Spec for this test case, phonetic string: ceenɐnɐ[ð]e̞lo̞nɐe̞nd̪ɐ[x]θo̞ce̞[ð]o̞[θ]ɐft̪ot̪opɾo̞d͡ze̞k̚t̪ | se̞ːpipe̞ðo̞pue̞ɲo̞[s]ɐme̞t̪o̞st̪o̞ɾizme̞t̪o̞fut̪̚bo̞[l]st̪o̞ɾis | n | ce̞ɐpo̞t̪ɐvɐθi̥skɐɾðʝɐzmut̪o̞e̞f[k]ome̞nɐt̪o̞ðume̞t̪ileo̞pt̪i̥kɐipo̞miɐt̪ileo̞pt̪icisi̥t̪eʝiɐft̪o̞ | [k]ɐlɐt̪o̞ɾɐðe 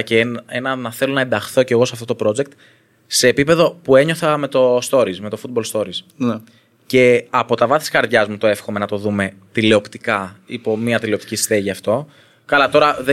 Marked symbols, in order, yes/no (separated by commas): no, yes, no, no, no, yes, no, yes